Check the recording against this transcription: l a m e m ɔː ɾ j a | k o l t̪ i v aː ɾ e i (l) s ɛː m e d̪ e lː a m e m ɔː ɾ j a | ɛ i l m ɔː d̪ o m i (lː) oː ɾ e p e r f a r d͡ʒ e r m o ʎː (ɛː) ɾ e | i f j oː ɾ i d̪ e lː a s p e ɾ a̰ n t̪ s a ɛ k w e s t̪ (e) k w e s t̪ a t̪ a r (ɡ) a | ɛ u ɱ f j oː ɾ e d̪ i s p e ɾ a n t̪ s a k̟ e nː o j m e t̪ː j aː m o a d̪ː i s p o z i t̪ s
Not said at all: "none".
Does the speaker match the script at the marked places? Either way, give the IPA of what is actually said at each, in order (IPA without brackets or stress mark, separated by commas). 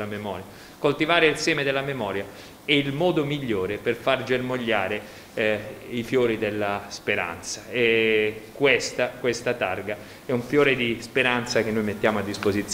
l, ʎː, aː, a, ɡ